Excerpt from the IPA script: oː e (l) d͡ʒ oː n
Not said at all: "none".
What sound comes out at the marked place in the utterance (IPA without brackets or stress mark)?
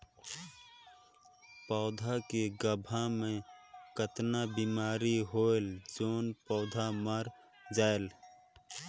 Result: l